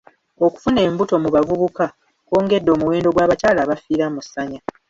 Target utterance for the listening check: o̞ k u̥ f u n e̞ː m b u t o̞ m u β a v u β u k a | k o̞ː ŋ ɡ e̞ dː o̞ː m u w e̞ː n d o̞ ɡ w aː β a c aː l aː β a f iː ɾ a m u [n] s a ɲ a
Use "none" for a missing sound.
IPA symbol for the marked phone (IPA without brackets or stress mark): none